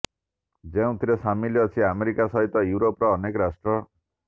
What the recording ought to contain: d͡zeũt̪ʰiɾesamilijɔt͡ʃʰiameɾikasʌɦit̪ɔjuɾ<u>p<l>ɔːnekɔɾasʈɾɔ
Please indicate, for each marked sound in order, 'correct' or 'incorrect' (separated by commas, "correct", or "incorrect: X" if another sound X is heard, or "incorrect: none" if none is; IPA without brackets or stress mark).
incorrect: o, incorrect: ɾ